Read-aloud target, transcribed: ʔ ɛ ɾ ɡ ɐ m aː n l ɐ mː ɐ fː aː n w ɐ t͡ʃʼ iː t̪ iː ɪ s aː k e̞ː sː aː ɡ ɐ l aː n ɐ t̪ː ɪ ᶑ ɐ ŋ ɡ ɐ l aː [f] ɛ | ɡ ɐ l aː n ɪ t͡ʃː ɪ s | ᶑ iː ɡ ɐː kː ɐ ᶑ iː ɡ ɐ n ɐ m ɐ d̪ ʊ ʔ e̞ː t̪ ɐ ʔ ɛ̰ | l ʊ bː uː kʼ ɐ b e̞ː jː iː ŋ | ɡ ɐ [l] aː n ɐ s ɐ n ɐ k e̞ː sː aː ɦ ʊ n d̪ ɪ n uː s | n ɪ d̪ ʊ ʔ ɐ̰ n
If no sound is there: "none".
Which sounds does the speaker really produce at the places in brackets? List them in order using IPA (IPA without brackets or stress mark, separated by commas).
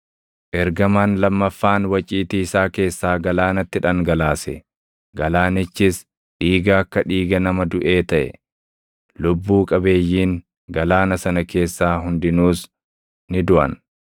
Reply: s, l